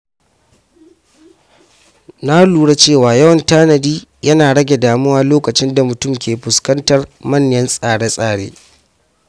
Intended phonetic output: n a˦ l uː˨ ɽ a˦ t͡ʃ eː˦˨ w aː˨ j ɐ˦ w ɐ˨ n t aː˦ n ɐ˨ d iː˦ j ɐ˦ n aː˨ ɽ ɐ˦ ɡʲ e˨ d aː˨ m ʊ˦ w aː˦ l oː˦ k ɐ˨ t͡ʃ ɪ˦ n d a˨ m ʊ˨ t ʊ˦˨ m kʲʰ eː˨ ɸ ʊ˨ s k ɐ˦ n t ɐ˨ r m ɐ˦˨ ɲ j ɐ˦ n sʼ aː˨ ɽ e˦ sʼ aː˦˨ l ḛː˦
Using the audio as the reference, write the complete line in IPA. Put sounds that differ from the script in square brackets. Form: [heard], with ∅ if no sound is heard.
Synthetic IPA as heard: n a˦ l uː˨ ɽ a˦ t͡ʃ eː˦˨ w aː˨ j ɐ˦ w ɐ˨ n t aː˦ n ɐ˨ d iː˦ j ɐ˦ n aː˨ ɽ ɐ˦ ɡʲ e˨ d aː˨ m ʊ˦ w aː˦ l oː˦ k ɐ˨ t͡ʃ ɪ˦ n d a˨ m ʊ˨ t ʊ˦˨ m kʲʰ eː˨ ɸ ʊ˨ s k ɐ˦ n t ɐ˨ r m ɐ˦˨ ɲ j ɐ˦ n sʼ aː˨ ɽ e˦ sʼ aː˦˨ [ɽ] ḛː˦